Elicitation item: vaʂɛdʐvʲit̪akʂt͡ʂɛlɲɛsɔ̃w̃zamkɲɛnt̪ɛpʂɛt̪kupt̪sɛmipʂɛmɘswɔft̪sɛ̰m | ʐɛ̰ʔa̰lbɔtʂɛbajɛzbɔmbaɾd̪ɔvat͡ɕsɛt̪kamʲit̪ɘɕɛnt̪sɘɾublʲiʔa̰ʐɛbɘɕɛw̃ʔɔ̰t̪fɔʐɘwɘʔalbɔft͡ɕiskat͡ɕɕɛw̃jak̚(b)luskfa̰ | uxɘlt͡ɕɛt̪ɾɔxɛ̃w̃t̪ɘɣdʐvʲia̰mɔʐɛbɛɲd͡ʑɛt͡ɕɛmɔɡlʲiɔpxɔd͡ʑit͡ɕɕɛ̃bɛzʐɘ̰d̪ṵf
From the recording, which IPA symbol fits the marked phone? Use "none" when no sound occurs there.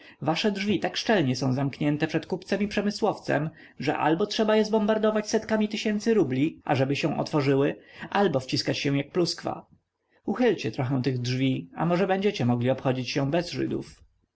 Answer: p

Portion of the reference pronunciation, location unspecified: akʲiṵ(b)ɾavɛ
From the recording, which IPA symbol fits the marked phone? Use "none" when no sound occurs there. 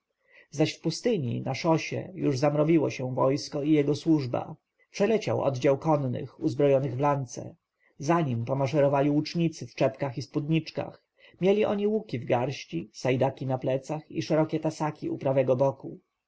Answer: p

